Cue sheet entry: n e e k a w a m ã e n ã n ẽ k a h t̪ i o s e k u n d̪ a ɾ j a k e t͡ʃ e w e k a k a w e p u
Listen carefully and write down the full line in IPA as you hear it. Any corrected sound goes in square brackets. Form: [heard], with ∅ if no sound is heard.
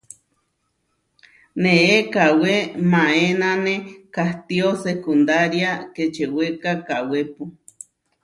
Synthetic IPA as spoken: n e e k a w [e] m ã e n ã n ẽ k a h t̪ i o s e k u n d̪ a ɾ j a k e t͡ʃ e w e k a k a w e p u